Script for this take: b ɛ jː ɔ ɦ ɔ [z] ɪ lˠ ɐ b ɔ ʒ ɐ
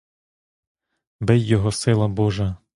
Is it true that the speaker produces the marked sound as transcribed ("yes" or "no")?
no